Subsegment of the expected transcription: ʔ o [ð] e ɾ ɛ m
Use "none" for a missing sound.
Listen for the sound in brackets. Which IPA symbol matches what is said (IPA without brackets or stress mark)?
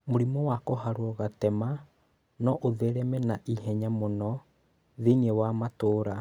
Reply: ð